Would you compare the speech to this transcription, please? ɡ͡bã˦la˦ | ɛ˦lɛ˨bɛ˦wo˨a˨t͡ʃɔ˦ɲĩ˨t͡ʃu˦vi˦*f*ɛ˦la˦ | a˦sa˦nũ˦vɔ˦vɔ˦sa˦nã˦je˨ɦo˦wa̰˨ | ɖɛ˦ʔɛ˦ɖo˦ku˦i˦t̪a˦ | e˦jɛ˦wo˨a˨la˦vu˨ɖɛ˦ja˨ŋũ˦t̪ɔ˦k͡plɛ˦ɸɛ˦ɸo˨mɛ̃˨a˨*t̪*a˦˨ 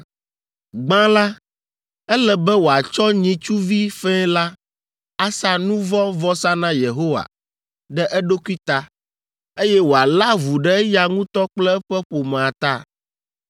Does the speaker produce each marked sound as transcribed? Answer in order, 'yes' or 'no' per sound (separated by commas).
yes, yes